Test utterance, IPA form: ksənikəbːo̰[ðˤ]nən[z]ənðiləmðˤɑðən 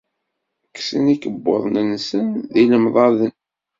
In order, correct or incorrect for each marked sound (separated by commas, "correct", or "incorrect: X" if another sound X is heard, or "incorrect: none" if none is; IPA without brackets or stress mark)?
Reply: correct, incorrect: s